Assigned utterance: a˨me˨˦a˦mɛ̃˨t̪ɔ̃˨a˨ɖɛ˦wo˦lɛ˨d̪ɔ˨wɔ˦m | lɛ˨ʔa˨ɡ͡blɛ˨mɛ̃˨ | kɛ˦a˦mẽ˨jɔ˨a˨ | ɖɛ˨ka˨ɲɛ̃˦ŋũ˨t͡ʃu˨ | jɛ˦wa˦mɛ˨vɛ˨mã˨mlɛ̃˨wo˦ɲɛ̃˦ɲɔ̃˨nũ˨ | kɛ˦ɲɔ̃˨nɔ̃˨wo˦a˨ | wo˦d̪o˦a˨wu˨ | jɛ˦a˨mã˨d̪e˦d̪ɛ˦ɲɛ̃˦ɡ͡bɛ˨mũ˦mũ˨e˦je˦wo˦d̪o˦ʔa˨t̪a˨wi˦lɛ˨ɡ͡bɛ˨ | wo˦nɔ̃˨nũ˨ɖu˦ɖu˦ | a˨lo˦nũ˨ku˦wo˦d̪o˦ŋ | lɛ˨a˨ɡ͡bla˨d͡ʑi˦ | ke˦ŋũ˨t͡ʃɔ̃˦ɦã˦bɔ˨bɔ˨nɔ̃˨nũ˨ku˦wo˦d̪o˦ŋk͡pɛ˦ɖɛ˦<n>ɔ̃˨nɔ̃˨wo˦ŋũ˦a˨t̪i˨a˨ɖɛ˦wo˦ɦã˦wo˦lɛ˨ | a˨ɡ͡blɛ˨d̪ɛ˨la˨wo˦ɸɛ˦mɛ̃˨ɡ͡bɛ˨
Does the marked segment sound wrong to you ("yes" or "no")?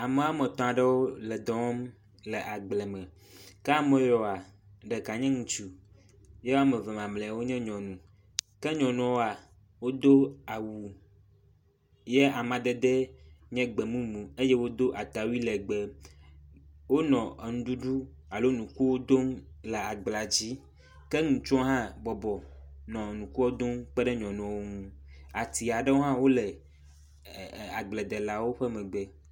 yes